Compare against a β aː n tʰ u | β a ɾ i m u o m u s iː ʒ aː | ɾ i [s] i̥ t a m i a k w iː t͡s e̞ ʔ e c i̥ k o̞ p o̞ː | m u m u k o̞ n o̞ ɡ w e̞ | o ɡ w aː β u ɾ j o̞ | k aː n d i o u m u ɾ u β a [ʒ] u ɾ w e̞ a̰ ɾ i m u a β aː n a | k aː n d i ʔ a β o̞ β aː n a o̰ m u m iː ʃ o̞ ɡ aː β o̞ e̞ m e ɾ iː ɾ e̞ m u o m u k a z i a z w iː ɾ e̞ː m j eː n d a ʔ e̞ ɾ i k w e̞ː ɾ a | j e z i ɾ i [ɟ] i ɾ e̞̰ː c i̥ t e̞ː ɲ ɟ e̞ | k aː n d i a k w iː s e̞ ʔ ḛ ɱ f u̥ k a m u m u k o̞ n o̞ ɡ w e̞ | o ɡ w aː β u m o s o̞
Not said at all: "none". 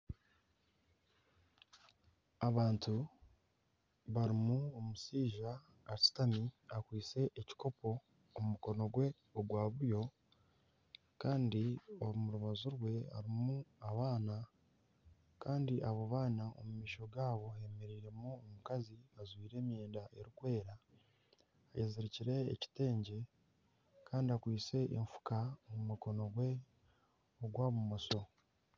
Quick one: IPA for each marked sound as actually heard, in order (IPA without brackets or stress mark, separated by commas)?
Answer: s, z, c